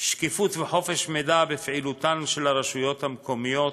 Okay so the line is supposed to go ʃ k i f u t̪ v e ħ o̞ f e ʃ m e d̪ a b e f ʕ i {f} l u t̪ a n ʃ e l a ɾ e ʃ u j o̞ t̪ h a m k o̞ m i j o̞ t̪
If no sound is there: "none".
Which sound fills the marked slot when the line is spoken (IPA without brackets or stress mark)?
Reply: none